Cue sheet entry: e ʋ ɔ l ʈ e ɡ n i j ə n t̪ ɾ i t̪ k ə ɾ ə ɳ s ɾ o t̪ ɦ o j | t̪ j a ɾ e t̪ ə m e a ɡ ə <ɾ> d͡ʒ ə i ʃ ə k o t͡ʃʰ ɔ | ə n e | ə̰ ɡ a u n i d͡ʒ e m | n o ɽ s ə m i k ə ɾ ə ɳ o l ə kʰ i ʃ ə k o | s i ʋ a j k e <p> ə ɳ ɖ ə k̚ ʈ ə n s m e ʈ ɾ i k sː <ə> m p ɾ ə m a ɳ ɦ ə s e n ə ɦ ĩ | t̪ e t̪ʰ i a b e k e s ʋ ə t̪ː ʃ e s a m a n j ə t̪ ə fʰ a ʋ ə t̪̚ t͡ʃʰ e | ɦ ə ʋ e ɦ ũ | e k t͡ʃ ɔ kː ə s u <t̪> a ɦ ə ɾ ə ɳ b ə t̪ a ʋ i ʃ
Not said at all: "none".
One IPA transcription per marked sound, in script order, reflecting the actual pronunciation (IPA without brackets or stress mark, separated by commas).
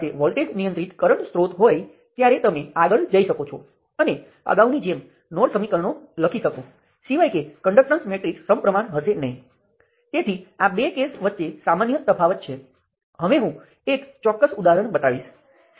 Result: ɭ, k, ə, d̪